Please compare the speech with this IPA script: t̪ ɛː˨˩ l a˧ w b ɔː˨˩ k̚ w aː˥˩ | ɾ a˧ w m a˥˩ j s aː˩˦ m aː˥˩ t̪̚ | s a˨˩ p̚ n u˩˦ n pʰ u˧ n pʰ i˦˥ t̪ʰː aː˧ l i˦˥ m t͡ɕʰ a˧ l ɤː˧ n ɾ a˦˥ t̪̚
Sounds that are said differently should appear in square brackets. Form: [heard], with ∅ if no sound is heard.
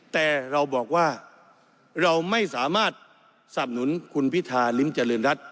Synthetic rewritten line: t̪ ɛː˨˩ [ɾ] a˧ w b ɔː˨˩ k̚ w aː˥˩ | ɾ a˧ w m a˥˩ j s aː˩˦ m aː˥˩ t̪̚ | s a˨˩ p̚ n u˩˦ n [kʰ] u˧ n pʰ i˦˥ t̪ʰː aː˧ l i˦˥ m [t͡ɕ] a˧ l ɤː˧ n ɾ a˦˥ t̪̚